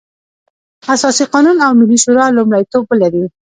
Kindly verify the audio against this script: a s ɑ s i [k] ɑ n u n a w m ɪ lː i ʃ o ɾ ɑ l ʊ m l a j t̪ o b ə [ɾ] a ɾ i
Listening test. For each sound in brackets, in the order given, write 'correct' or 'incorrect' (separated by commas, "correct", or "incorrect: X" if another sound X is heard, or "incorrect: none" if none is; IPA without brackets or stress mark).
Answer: incorrect: q, incorrect: l